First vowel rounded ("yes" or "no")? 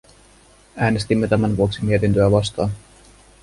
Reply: no